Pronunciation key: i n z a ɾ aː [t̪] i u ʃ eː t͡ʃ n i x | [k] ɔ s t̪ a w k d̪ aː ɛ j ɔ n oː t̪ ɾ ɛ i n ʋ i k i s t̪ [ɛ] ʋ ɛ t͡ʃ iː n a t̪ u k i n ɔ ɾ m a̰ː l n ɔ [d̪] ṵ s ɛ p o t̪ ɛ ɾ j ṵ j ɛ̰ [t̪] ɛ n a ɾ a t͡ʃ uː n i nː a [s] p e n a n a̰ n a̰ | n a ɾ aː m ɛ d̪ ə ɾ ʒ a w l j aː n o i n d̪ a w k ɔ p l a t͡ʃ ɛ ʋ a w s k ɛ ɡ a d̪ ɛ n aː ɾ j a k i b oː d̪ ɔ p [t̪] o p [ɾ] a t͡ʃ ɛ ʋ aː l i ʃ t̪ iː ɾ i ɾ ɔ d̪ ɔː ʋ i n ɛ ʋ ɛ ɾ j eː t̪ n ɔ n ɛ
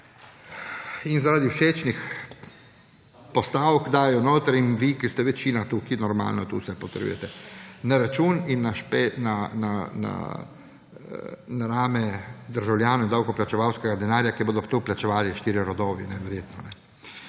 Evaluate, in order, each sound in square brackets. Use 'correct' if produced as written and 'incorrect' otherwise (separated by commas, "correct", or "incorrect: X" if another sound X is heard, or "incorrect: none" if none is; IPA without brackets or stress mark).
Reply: incorrect: d̪, incorrect: p, correct, incorrect: t̪, correct, incorrect: ʃ, correct, incorrect: l